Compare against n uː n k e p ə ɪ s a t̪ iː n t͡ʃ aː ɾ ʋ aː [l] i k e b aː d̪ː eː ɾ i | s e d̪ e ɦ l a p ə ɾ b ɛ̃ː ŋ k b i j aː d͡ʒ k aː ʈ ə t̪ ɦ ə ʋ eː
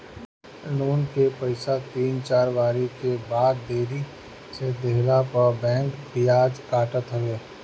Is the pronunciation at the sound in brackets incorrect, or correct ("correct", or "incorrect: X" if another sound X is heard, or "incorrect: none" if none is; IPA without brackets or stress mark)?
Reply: incorrect: ɾ